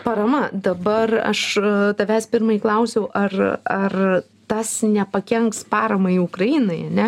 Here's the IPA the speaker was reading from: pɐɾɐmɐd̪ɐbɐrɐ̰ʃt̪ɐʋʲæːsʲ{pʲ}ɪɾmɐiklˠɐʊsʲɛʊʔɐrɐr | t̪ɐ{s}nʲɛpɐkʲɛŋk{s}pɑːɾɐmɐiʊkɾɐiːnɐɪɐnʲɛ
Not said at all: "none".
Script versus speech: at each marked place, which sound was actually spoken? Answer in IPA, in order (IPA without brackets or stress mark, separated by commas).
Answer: pʲ, s, s